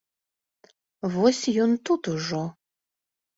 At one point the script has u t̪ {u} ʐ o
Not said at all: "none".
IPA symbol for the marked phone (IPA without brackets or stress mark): u